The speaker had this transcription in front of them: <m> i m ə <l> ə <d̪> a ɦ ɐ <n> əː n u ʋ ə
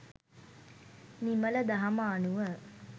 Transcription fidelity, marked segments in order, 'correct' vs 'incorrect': incorrect: n, correct, correct, incorrect: m

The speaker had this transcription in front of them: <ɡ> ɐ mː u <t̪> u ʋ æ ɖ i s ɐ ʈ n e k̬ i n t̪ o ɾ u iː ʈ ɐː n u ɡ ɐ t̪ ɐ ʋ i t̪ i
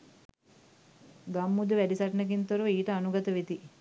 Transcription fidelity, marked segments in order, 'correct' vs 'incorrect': correct, incorrect: d̪

